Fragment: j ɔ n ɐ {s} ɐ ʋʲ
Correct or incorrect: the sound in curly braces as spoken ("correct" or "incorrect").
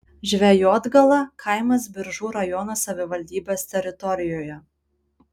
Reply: correct